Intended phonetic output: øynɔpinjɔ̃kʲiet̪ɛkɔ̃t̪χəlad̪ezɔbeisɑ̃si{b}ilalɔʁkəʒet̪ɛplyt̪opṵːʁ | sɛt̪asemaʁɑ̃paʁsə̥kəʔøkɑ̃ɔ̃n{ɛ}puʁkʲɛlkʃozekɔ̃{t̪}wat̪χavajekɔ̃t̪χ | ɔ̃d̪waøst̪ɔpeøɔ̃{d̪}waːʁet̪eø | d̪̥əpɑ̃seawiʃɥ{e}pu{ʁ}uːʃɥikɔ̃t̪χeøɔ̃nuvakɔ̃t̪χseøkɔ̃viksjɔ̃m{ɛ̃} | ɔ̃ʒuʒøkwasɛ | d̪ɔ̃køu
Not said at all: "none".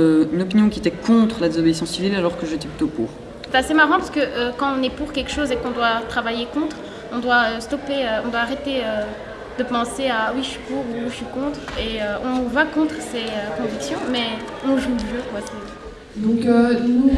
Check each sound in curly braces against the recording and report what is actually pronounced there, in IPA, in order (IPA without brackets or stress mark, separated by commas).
v, ɛ, d̪, d̪, i, ʁ, ɛ